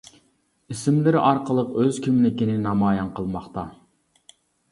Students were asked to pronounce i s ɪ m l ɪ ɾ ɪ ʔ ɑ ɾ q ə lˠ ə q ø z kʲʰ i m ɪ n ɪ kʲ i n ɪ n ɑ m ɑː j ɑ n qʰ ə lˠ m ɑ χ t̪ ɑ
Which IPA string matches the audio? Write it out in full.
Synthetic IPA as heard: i s ɪ m l ɪ ɾ ɪ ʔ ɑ ɾ q ə lˠ ə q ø z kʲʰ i m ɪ n ɪ kʲ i n ɪ n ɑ m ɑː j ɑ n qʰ ə lˠ m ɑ χ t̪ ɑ

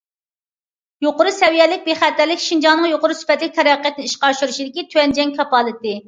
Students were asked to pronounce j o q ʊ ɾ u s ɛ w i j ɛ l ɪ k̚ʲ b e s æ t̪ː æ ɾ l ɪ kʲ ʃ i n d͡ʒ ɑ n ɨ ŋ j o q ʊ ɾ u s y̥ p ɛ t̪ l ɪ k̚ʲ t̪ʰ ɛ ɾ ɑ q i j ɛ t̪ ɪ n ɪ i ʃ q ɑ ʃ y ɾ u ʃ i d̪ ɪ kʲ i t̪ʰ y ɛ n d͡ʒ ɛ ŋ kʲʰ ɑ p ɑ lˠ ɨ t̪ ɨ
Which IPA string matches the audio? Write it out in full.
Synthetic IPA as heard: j o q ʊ ɾ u s ɛ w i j ɛ l ɪ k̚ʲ b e χ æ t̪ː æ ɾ l ɪ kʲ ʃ i n d͡ʒ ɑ n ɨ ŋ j o q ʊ ɾ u s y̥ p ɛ t̪ l ɪ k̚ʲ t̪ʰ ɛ ɾ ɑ q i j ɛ t̪ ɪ n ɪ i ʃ q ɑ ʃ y ɾ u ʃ i d̪ ɪ kʲ i t̪ʰ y ɛ n d͡ʒ ɛ ŋ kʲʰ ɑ p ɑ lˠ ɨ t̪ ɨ

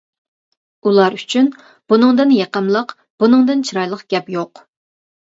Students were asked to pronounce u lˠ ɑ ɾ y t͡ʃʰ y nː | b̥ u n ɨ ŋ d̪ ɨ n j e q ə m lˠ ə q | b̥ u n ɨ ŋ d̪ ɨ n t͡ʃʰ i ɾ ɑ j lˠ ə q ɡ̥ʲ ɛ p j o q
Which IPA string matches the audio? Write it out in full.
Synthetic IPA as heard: u lˠ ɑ ɾ y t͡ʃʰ y n | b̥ u n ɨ ŋ d̪ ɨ n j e q ə m lˠ ə q | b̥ u n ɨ ŋ d̪ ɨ n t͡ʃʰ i ɾ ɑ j lˠ ə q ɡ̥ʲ ɛ p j o q

